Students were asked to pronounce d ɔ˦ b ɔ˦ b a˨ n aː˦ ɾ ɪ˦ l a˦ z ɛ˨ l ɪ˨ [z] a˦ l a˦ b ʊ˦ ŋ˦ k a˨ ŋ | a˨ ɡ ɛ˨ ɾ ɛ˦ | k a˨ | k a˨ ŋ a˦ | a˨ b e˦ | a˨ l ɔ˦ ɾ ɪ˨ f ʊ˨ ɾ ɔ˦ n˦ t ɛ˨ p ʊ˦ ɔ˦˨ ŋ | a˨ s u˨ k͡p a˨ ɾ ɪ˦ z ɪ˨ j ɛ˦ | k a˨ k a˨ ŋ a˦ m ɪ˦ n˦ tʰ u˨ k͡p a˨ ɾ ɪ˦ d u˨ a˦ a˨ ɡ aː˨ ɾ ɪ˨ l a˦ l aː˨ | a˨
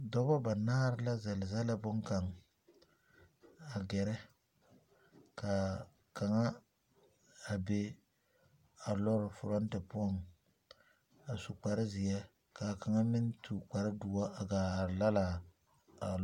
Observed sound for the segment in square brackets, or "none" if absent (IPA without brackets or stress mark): z